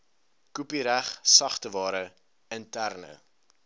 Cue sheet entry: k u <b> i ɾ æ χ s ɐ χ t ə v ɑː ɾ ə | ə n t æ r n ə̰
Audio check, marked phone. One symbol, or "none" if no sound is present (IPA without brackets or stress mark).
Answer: p